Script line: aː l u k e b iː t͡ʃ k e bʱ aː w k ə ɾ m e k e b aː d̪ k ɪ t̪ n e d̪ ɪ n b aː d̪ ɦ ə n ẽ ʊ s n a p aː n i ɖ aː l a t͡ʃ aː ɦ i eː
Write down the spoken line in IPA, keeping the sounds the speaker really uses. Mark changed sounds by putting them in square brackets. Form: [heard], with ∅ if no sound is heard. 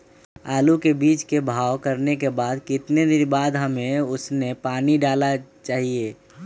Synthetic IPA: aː l u k e b iː t͡ʃ k e bʱ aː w k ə ɾ [n] e k e b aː d̪ k ɪ t̪ n e d̪ ɪ n b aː d̪ ɦ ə [m] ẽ ʊ s n [e] p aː n i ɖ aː l a t͡ʃ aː ɦ i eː